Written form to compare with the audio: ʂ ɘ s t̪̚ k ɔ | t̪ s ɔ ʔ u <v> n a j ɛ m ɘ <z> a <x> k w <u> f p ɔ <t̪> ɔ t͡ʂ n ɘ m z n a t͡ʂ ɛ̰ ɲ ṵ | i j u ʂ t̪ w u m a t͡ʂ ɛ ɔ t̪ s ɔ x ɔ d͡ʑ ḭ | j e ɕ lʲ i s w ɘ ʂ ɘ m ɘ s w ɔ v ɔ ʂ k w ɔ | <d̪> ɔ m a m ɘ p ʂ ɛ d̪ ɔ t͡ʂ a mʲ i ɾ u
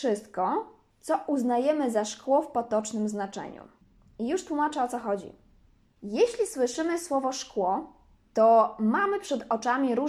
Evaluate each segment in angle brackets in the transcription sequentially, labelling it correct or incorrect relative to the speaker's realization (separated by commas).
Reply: incorrect, correct, incorrect, incorrect, correct, incorrect